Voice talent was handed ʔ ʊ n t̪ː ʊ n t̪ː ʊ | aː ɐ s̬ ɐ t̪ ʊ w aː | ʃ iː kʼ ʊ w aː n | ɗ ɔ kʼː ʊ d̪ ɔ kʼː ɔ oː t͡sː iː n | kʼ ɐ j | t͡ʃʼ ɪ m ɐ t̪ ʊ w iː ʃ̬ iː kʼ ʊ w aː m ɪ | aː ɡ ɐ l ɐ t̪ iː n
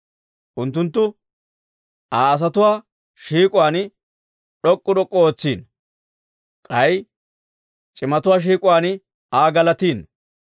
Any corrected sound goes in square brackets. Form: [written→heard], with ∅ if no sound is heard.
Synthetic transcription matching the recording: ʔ ʊ n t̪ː ʊ n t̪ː ʊ | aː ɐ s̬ ɐ t̪ ʊ w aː | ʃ iː kʼ ʊ w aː n | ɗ ɔ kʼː ʊ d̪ ɔ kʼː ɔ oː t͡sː iː n | kʼ ɐ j | t͡ʃʼ ɪ m ɐ t̪ ʊ w [iː→aː] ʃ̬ iː kʼ ʊ w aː [m→n] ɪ | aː ɡ ɐ l ɐ t̪ iː n

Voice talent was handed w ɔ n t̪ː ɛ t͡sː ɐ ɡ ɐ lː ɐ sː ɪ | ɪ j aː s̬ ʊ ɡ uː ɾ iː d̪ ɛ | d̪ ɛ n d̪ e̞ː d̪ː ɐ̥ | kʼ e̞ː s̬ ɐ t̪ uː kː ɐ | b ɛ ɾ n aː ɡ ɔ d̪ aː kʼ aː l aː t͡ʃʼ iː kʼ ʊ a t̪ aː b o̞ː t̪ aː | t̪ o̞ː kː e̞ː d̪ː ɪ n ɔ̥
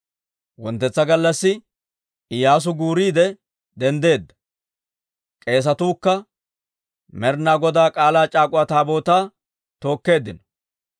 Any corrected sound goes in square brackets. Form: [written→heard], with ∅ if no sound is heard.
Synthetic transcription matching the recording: w ɔ n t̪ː ɛ t͡sː ɐ ɡ ɐ lː ɐ sː ɪ | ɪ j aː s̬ ʊ ɡ uː ɾ iː d̪ ɛ | d̪ ɛ n d̪ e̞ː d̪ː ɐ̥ | kʼ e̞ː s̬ ɐ t̪ uː kː ɐ | [b→m] ɛ ɾ n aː ɡ ɔ d̪ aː kʼ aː l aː t͡ʃʼ [iː→aː] kʼ ʊ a t̪ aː b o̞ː t̪ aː | t̪ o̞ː kː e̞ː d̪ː ɪ n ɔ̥

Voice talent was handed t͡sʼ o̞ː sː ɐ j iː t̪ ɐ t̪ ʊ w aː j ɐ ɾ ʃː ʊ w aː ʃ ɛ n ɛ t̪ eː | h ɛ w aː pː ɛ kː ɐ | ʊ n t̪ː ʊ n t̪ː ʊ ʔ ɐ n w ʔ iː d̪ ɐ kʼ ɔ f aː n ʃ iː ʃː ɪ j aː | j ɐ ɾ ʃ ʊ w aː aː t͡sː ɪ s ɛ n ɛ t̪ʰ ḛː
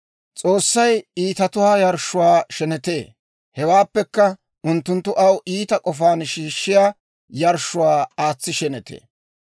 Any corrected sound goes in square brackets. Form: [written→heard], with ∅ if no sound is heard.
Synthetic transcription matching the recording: t͡sʼ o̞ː sː ɐ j iː t̪ ɐ t̪ ʊ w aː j ɐ ɾ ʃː ʊ w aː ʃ ɛ n ɛ t̪ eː | h ɛ w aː pː ɛ kː ɐ | ʊ n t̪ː ʊ n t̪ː ʊ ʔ ɐ [n→∅] w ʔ iː [d̪→t̪] ɐ kʼ ɔ f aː n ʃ iː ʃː ɪ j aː | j ɐ ɾ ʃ ʊ w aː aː t͡sː ɪ [s→ʃ] ɛ n ɛ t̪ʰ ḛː

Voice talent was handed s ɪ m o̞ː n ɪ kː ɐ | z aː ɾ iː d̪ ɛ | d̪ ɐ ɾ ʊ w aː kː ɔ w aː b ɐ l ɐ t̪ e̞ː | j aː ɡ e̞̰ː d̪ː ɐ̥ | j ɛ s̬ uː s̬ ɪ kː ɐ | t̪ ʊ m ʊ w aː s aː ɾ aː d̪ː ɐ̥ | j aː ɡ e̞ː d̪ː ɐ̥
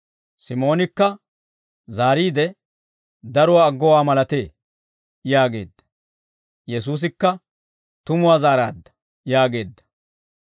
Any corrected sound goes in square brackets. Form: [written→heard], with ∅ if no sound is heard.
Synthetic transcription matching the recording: s ɪ m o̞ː n ɪ kː ɐ | z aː ɾ iː d̪ ɛ | d̪ ɐ ɾ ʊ w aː [kː→ɡː] ɔ w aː [b→m] ɐ l ɐ t̪ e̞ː | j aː ɡ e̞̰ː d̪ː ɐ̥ | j ɛ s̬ uː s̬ ɪ kː ɐ | t̪ ʊ m ʊ w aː [s→z] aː ɾ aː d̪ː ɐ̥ | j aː ɡ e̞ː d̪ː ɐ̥

